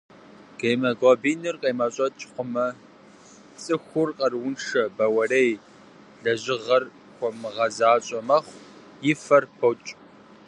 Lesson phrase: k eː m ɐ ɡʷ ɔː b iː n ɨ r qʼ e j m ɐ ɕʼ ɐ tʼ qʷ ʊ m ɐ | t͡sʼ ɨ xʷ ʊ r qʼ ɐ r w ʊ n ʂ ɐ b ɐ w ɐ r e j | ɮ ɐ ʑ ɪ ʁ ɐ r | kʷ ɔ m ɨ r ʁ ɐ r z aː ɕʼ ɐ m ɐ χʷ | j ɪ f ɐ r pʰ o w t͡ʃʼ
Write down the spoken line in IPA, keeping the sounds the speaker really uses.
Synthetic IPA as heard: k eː m ɐ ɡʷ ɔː b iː n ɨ r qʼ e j m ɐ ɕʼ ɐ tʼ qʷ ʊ m ɐ | t͡sʼ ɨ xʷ ʊ r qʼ ɐ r w ʊ n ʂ ɐ b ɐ w ɐ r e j | ɮ ɐ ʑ ɪ ʁ ɐ r | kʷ ɔ m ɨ ʁ ɐ z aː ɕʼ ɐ m ɐ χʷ | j ɪ f ɐ r pʰ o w t͡ʃʼ